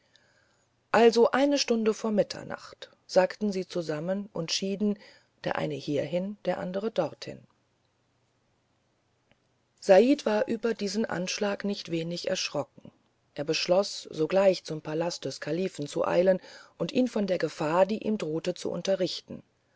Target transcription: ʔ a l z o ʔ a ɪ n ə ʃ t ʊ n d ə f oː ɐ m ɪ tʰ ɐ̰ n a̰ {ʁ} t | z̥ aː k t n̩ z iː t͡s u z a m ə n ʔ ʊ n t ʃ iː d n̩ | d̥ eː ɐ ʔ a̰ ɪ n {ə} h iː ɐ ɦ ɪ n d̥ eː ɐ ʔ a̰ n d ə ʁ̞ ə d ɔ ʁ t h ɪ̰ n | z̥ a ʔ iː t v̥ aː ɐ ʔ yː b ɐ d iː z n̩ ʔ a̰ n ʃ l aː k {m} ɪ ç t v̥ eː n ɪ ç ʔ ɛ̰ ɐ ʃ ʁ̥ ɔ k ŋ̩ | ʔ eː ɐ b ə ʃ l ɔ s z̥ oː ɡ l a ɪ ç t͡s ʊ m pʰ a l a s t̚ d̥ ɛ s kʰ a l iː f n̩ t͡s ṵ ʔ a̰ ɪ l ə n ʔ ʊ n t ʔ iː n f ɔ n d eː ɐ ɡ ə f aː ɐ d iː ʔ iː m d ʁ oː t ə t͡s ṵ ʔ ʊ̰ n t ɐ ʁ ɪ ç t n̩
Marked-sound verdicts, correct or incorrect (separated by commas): incorrect, correct, incorrect